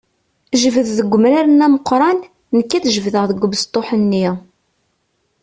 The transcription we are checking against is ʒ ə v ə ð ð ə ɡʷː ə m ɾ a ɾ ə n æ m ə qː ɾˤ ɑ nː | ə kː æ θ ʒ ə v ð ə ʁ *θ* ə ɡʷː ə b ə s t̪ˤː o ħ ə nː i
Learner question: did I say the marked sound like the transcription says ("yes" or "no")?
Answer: no